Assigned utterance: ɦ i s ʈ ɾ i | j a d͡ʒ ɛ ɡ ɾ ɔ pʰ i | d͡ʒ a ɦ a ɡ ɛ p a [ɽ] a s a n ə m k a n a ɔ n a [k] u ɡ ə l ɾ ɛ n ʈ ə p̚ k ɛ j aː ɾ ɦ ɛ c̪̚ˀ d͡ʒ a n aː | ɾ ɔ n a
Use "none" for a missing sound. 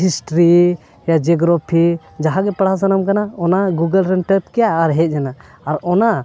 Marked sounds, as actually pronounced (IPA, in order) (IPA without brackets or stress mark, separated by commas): ɽ, ɡ